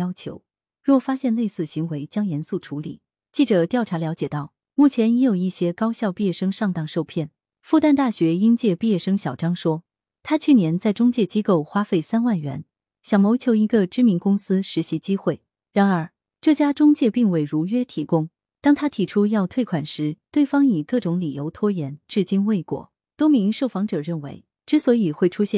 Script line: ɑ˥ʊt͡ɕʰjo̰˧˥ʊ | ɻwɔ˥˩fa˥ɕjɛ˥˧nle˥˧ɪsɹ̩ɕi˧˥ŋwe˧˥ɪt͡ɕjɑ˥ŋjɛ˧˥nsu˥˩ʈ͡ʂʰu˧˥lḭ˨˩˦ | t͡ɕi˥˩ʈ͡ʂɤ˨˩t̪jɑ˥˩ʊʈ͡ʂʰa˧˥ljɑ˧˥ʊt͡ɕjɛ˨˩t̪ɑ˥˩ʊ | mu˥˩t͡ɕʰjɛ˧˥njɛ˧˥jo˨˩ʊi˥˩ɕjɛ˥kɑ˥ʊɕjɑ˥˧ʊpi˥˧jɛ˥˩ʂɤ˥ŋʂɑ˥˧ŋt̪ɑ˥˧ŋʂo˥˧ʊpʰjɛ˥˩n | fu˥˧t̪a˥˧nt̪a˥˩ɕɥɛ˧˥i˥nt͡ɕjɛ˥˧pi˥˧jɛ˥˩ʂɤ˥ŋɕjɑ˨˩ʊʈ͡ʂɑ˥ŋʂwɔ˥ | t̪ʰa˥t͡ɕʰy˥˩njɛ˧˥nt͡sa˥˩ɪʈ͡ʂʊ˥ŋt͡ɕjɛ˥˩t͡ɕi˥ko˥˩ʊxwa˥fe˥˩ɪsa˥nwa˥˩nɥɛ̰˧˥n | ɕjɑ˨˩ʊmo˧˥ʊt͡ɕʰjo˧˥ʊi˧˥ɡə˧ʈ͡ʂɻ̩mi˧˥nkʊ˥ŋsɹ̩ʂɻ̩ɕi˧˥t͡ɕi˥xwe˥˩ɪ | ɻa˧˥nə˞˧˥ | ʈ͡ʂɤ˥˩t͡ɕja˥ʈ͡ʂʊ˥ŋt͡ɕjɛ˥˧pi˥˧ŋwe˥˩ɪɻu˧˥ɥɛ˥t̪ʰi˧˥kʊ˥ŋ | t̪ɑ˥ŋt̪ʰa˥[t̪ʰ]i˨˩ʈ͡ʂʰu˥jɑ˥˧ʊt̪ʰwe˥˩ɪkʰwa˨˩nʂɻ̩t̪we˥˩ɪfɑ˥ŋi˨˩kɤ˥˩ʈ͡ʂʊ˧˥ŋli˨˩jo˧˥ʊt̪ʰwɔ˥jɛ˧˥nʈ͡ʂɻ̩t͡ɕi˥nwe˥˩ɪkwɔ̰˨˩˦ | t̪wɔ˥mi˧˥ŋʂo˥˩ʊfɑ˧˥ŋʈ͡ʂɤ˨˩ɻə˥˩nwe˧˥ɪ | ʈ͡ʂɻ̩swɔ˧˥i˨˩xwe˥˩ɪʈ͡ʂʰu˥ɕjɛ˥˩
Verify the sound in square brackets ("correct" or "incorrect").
correct